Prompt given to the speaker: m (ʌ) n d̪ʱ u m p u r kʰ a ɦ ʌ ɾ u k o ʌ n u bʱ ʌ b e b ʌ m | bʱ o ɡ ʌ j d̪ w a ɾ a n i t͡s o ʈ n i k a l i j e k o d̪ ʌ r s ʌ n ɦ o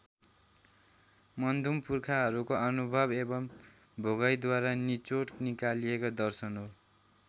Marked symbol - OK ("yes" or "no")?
yes